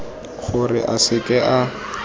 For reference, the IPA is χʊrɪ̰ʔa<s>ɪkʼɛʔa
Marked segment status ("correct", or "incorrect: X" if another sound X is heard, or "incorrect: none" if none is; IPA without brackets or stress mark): correct